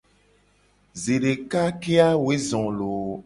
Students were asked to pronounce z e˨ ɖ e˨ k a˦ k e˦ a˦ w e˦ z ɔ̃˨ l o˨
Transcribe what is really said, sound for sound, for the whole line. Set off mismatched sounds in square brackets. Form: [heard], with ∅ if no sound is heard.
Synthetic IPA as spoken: z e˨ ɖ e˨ k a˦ k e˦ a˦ w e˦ z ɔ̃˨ l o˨